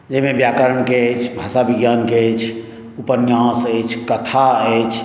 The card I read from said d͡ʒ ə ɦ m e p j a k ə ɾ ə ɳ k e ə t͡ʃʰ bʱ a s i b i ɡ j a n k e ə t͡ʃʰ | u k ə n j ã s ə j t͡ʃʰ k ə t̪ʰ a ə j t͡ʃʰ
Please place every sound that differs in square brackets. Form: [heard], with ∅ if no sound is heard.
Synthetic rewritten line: d͡ʒ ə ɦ m e [b] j a k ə ɾ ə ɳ k e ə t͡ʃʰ bʱ a s [a] b i ɡ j a n k e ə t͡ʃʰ | u [p] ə n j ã s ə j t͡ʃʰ k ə t̪ʰ a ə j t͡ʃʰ